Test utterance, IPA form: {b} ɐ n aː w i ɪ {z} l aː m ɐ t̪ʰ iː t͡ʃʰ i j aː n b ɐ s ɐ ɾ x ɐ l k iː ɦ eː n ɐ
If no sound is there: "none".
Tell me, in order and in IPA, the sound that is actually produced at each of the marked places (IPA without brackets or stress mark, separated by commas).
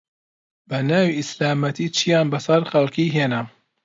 b, s